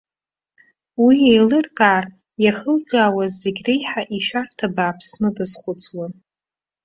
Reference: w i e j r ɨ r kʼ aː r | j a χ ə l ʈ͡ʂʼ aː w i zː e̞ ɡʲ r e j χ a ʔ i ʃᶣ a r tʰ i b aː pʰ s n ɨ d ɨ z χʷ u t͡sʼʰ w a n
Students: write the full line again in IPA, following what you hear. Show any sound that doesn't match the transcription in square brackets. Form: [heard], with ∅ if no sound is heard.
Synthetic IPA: w i e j [l] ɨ r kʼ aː r | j a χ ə l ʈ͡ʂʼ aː w [a] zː e̞ ɡʲ r e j [ħ] a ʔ i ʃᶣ a r tʰ [a] b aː pʰ s n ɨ d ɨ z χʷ [ʊ] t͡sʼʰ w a n